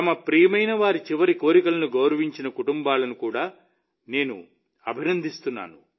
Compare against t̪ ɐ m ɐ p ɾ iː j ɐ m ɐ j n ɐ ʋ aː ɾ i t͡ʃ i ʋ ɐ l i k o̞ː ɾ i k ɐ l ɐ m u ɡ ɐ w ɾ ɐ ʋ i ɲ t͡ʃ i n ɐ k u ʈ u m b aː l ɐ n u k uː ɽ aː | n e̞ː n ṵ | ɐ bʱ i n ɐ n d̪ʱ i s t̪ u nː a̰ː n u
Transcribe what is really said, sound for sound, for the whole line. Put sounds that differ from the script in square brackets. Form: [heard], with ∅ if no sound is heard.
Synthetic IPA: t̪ ɐ m ɐ p ɾ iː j ɐ m ɐ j n ɐ ʋ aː ɾ i t͡ʃ i ʋ ɐ [ɾ] i k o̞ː ɾ i k ɐ l ɐ [n] u ɡ ɐ w ɾ ɐ ʋ i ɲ t͡ʃ i n ɐ k u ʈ u m b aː l ɐ n u k uː ɽ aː | n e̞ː n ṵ | ɐ bʱ i n ɐ n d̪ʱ i s t̪ u nː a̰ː n u